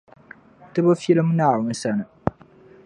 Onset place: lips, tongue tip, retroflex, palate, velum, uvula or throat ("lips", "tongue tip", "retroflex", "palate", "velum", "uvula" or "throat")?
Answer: tongue tip